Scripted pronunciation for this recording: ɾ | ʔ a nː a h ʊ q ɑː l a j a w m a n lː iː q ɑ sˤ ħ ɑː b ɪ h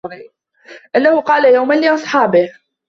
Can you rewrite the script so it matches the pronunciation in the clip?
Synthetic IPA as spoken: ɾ | ʔ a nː a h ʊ q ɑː l a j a w m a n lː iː ʔ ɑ sˤ ħ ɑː b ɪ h